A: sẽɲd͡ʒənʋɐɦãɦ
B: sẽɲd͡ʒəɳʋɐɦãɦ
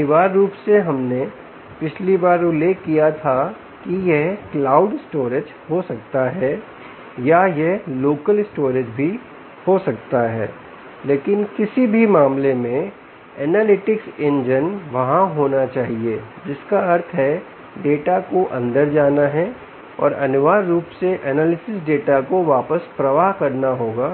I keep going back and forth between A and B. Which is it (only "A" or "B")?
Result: A